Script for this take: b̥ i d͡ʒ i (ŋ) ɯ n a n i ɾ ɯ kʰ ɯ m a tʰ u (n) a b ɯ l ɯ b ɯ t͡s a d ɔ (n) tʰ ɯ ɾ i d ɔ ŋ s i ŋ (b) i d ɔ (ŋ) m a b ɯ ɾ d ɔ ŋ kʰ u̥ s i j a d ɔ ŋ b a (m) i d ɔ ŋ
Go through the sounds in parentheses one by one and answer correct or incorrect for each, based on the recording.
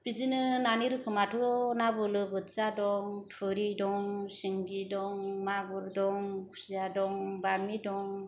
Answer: incorrect, correct, incorrect, incorrect, correct, correct

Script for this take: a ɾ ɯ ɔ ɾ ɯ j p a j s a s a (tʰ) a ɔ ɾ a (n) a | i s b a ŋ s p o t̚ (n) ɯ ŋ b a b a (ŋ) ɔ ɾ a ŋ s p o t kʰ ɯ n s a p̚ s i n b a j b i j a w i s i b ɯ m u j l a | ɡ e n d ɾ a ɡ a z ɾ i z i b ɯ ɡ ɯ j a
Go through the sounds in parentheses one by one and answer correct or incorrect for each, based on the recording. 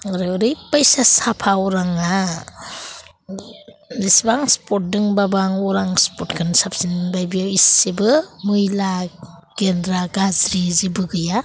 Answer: incorrect, incorrect, incorrect, correct

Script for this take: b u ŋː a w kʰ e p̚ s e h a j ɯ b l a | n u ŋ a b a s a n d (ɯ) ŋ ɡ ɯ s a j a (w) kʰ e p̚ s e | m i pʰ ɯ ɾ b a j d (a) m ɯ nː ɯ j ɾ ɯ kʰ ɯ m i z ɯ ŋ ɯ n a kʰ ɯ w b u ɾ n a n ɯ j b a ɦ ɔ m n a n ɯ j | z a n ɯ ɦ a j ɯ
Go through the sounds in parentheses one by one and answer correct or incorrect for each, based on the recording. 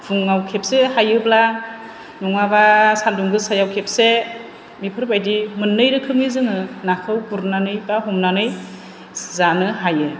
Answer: incorrect, correct, incorrect

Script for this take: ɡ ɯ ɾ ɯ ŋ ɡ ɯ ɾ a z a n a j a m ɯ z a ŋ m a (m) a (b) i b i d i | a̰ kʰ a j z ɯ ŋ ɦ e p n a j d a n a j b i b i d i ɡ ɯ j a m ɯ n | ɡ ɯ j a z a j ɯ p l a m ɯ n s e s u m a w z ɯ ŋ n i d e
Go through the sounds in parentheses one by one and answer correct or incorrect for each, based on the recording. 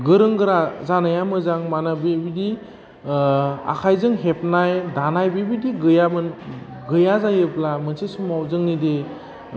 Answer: incorrect, correct

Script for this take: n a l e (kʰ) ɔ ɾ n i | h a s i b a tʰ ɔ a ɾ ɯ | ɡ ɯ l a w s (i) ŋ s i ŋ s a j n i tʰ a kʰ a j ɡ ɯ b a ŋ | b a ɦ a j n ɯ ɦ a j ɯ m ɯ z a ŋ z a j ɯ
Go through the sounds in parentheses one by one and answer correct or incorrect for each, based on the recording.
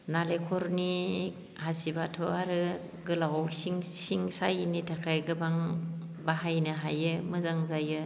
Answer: correct, correct

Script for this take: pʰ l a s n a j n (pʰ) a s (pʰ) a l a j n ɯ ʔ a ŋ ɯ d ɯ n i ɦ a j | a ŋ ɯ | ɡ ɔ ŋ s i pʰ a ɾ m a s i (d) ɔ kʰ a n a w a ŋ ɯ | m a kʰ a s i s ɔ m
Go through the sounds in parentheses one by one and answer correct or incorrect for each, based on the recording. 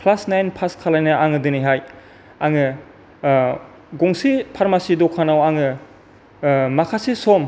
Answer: correct, incorrect, correct

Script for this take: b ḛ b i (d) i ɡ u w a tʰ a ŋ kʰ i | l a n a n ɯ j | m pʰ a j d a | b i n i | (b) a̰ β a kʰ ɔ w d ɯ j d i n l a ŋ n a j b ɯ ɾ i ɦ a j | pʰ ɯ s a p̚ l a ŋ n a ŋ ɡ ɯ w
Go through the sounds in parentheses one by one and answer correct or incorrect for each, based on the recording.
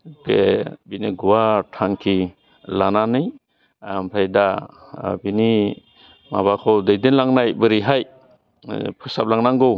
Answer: incorrect, incorrect

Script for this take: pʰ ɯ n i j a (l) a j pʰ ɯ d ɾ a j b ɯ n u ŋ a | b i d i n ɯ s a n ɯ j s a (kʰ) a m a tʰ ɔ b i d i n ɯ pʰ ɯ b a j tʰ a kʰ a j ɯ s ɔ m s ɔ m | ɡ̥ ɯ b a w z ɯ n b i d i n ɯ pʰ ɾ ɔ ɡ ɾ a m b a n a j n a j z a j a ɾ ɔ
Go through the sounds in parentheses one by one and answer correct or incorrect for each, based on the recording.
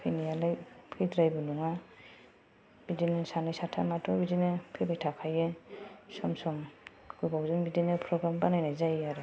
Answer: correct, incorrect

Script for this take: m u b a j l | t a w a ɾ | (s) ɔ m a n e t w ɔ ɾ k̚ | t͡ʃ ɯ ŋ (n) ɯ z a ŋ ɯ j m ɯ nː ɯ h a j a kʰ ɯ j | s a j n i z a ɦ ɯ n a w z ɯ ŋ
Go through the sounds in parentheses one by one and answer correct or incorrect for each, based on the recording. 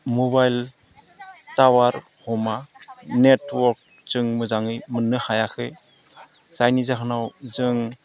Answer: incorrect, incorrect

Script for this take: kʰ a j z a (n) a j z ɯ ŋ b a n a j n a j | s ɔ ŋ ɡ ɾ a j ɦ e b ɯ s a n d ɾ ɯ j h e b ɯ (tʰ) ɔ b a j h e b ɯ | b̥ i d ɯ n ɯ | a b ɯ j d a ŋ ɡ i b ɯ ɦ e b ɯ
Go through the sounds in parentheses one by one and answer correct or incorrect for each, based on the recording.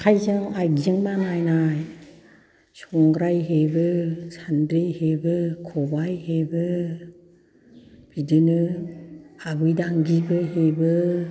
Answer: incorrect, incorrect

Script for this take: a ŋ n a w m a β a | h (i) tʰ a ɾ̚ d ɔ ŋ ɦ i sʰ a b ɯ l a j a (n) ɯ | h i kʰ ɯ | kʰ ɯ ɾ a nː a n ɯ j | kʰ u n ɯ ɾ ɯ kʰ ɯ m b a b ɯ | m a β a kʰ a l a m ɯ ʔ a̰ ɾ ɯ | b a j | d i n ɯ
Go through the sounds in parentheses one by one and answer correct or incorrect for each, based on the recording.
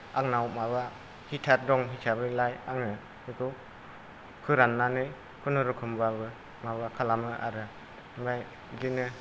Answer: correct, incorrect

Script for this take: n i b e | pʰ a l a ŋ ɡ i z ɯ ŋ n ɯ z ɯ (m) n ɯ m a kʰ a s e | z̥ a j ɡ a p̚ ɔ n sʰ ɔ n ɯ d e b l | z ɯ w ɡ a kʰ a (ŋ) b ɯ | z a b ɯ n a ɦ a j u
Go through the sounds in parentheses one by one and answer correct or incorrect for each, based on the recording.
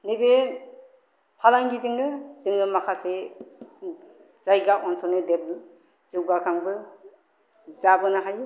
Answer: incorrect, correct

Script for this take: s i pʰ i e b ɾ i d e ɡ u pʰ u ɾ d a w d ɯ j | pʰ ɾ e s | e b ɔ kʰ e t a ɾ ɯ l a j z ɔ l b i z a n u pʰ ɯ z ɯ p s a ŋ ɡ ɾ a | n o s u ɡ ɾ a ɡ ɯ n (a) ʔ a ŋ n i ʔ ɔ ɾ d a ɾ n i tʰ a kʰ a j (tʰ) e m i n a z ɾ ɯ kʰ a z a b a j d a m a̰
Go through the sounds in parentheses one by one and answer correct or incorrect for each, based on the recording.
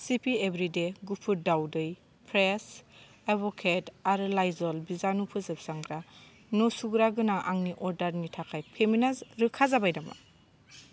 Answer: correct, incorrect

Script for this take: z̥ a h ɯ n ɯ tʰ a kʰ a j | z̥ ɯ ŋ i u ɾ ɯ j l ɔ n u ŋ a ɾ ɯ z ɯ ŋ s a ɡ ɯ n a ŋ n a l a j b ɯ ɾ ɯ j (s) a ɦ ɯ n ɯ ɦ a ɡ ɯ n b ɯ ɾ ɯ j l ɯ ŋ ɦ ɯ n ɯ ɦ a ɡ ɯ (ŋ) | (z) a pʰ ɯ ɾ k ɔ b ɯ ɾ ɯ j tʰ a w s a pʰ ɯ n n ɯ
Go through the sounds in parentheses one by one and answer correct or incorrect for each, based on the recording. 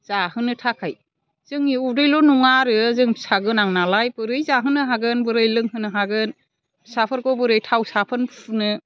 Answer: incorrect, incorrect, incorrect

